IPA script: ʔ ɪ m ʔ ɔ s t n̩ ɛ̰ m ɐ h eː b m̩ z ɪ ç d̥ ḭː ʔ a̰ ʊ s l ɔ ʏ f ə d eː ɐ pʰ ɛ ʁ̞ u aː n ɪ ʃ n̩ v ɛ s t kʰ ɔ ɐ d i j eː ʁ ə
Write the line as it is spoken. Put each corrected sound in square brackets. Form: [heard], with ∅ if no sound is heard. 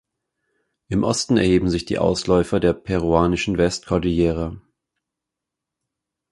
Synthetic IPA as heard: ʔ ɪ m ʔ ɔ s t n̩ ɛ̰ [∅] ɐ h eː b m̩ z ɪ ç d̥ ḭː ʔ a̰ ʊ s l ɔ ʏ f [ɐ] d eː ɐ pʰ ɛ ʁ̞ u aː n ɪ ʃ n̩ v ɛ s t kʰ ɔ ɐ d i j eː ʁ ə